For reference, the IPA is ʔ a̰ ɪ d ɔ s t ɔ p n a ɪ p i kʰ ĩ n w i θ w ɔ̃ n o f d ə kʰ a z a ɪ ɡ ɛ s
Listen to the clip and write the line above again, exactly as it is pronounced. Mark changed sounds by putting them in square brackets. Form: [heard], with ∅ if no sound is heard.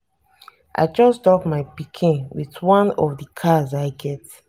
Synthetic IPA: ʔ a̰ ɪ [d͡ʒ] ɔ s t ɔ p [m] a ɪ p i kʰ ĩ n w i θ w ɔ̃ n [ɔ] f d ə kʰ a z a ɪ ɡ ɛ [t]